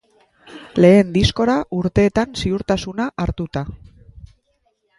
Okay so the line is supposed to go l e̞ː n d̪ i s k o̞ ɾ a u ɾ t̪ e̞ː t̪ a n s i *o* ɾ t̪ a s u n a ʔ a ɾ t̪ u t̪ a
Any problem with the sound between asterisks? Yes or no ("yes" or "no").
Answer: yes